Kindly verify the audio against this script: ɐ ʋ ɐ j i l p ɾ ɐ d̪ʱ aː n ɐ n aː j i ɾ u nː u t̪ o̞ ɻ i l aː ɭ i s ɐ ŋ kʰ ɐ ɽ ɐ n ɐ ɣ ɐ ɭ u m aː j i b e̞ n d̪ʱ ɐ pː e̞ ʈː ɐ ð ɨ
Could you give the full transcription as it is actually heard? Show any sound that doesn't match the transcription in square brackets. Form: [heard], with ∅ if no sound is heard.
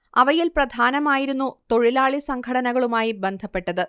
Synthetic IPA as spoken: ɐ ʋ ɐ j i l p [r] ɐ d̪ʱ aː n ɐ [m] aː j i ɾ u nː u t̪ o̞ ɻ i l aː ɭ i s ɐ ŋ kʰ ɐ ɽ ɐ n ɐ ɣ ɐ ɭ u m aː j i b e̞ n d̪ʱ ɐ pː e̞ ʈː ɐ ð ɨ

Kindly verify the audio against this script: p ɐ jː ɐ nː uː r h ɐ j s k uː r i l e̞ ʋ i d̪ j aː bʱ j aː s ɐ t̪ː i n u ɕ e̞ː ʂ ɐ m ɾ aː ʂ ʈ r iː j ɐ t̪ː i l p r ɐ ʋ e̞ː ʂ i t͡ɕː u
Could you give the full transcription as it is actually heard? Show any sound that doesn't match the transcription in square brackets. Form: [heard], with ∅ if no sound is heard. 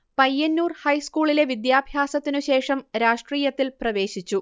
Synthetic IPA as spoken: p ɐ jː ɐ nː uː r h ɐ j s k uː [ɭ] i l e̞ ʋ i d̪ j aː bʱ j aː s ɐ t̪ː i n u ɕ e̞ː ʂ ɐ m ɾ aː ʂ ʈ r iː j ɐ t̪ː i l p r ɐ ʋ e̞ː [ɕ] i t͡ɕː u

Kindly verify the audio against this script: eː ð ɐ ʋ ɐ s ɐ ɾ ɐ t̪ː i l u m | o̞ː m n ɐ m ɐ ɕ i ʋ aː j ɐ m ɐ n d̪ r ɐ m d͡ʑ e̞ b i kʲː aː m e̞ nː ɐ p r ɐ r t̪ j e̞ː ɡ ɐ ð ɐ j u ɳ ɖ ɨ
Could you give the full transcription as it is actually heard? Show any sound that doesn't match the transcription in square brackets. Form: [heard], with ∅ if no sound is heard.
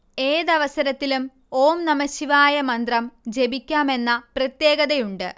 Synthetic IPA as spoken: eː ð ɐ ʋ ɐ s ɐ ɾ ɐ t̪ː i l u m | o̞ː m n ɐ m ɐ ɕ i ʋ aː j ɐ m ɐ n d̪ r ɐ m d͡ʑ e̞ b i kʲː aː m e̞ nː ɐ p r ɐ [∅] t̪ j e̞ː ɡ ɐ ð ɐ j u ɳ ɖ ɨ

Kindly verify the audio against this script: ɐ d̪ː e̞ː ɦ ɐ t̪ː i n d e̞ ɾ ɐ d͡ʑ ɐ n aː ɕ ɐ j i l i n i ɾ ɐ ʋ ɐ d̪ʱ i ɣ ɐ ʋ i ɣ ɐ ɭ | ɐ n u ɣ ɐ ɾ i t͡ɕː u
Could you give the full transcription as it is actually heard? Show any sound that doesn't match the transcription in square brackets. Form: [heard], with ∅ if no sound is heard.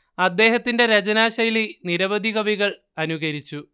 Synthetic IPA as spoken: ɐ d̪ː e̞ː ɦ ɐ t̪ː i n d e̞ ɾ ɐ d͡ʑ ɐ n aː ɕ ɐ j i l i n i ɾ ɐ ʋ ɐ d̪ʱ i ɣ ɐ ʋ i ɣ ɐ ɭ | ɐ n u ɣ ɐ ɾ i t͡ɕː u

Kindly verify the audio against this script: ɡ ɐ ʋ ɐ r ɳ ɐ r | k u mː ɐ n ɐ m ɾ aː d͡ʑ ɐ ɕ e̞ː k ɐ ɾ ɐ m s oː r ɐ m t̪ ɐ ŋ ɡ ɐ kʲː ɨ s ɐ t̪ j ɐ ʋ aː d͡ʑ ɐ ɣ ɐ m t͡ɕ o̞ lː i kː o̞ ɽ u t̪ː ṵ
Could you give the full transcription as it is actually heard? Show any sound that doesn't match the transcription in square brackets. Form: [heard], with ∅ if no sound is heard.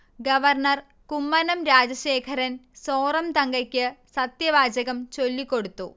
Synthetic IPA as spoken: ɡ ɐ ʋ ɐ r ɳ ɐ r | k u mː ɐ n ɐ m ɾ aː d͡ʑ ɐ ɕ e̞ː [kʰ] ɐ ɾ ɐ [n] s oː r ɐ m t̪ ɐ ŋ ɡ ɐ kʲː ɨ s ɐ t̪ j ɐ ʋ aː d͡ʑ ɐ ɣ ɐ m t͡ɕ o̞ lː i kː o̞ ɽ u t̪ː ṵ

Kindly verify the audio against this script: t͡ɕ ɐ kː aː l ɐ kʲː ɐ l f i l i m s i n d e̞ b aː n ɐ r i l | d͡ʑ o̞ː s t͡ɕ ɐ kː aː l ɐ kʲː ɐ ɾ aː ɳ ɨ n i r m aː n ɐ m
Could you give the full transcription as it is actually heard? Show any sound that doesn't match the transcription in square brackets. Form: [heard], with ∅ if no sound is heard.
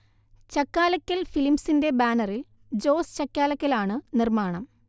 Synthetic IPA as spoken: t͡ɕ ɐ kː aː l ɐ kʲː ɐ l f i l i m s i n d e̞ b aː n ɐ r i l | d͡ʑ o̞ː s t͡ɕ ɐ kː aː l ɐ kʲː ɐ [l] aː ɳ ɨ n i r m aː [ɳ] ɐ m

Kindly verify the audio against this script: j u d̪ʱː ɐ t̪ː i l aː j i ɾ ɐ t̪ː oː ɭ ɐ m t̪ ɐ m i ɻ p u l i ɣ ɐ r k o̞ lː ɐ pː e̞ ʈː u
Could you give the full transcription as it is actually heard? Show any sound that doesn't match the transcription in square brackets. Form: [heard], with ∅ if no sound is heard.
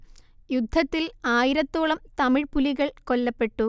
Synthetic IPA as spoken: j u d̪ʱː ɐ t̪ː i l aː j i ɾ ɐ t̪ː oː ɭ ɐ m t̪ ɐ m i ɻ p u l i ɣ ɐ [ɭ] k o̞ lː ɐ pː e̞ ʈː u

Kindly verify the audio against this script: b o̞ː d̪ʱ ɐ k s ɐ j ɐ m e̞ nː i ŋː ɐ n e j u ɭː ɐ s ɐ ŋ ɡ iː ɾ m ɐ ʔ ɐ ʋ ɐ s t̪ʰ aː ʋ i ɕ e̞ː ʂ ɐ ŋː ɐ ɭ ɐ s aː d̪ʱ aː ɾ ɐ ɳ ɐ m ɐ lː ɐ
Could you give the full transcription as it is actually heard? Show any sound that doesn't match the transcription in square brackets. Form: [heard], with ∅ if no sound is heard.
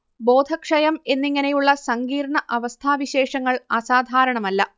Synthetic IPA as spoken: b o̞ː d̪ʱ ɐ k [ʂ] ɐ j ɐ m e̞ nː i ŋː ɐ n e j u ɭː ɐ s ɐ ŋ ɡ iː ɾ [ɳ] ɐ ʔ ɐ ʋ ɐ s t̪ʰ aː ʋ i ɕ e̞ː ʂ ɐ ŋː ɐ ɭ ɐ s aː d̪ʱ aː ɾ ɐ ɳ ɐ m ɐ lː ɐ

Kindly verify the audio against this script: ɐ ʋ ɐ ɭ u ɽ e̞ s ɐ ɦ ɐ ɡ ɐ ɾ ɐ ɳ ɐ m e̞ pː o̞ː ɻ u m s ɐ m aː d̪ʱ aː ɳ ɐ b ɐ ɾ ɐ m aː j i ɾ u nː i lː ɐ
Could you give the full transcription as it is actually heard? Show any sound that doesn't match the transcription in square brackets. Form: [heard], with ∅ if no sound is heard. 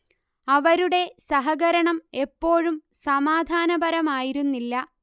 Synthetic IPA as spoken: ɐ ʋ ɐ [ɾ] u ɽ e̞ s ɐ ɦ ɐ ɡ ɐ ɾ ɐ ɳ ɐ m e̞ pː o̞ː ɻ u m s ɐ m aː d̪ʱ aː [n] ɐ b ɐ ɾ ɐ m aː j i ɾ u nː i lː ɐ

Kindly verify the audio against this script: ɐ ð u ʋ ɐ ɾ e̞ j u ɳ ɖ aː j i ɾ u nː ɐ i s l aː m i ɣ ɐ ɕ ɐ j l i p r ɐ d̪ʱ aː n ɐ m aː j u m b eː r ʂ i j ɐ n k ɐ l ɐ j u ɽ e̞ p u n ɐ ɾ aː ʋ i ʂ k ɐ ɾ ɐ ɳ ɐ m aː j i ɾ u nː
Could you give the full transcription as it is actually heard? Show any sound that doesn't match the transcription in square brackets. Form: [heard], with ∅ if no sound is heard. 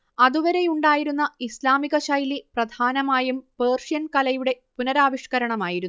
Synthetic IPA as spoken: ɐ ð u ʋ ɐ ɾ e̞ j u ɳ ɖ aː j i ɾ u nː ɐ i s l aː m i ɣ ɐ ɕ ɐ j l i p r ɐ d̪ʱ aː n ɐ m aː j u m [p] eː r ʂ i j ɐ n k ɐ l ɐ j u ɽ e̞ p u n ɐ ɾ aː ʋ i ʂ k ɐ ɾ ɐ ɳ ɐ m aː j i ɾ u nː

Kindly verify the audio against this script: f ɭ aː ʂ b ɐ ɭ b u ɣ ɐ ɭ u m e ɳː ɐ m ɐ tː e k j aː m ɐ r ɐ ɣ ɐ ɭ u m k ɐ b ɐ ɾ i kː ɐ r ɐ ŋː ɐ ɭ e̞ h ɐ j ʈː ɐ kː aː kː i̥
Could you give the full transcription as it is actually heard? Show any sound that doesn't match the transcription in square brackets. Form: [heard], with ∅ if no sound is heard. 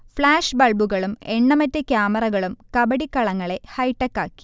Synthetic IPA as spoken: f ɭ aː ʂ b ɐ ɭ b u ɣ ɐ ɭ u m e ɳː ɐ m ɐ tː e k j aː m ɐ r ɐ ɣ ɐ ɭ u m k ɐ b ɐ [ɽ] i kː ɐ [ɭ] ɐ ŋː ɐ ɭ e̞ h ɐ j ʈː ɐ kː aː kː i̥

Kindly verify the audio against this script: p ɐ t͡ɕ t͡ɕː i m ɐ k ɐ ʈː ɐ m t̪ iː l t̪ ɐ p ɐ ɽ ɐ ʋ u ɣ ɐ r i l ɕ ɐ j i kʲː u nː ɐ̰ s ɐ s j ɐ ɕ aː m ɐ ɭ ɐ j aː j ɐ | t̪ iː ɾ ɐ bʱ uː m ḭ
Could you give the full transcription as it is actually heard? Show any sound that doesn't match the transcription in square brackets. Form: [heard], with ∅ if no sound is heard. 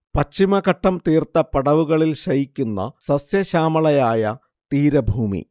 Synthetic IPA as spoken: p ɐ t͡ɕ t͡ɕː i m ɐ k ɐ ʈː ɐ m t̪ iː [r] t̪ ɐ p ɐ ɽ ɐ ʋ u ɣ ɐ [ɭ] i l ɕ ɐ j i kʲː u nː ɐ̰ s ɐ s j ɐ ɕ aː m ɐ ɭ ɐ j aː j ɐ | t̪ iː ɾ ɐ bʱ uː m ḭ

